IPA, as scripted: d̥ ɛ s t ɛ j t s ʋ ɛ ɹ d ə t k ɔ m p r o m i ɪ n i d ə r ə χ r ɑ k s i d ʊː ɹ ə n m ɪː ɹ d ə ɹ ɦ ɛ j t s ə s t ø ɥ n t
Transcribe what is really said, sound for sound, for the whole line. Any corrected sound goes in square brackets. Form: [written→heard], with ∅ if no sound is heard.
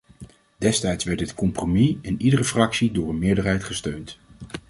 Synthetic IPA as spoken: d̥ ɛ s t ɛ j t s ʋ ɛ ɹ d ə t k ɔ m p r o m i ɪ n i d ə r ə [χ→f] r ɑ k s i d ʊː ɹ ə n m ɪː ɹ d ə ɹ ɦ ɛ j t [s→χ] ə s t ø ɥ n t